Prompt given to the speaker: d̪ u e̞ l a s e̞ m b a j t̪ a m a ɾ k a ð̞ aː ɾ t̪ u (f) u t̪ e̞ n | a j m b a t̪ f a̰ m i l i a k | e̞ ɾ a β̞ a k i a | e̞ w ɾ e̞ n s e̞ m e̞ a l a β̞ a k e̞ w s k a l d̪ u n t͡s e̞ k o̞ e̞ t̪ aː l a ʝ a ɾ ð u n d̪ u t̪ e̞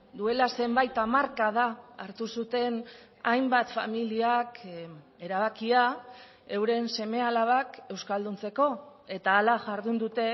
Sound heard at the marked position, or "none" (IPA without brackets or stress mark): s